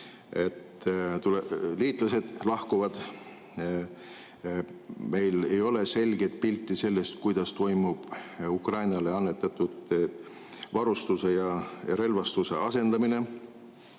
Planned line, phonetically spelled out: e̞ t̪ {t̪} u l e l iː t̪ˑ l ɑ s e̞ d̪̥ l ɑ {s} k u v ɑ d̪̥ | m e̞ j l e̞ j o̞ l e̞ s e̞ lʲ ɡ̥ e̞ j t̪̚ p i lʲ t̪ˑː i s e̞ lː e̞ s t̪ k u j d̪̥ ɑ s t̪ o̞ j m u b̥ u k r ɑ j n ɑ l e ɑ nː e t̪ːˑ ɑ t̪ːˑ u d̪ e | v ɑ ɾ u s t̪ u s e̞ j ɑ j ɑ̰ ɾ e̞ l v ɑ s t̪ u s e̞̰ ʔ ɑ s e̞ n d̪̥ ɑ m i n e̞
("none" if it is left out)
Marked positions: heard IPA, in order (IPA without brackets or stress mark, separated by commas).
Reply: t̪, h